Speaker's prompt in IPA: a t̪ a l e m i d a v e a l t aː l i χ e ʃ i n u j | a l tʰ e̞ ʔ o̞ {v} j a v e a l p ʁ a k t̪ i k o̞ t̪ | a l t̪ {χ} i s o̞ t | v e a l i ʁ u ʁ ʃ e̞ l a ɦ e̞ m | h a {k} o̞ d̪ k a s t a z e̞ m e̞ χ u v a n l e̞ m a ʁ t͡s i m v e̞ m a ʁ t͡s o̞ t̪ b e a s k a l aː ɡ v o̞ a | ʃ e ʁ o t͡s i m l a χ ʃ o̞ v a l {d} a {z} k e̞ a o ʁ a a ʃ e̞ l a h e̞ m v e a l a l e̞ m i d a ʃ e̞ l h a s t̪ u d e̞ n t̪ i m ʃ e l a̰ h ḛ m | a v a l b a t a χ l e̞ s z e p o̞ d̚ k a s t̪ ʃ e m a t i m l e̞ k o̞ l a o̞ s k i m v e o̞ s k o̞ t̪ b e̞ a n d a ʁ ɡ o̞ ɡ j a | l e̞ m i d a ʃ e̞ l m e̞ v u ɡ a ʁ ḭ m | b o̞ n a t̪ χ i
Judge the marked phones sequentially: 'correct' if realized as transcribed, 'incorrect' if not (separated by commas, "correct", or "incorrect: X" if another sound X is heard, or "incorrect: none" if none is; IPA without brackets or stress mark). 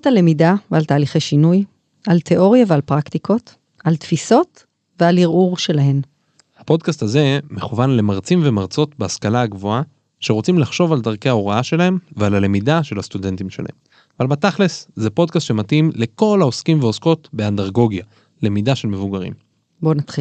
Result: incorrect: ʁ, incorrect: f, incorrect: p, correct, incorrect: ʁ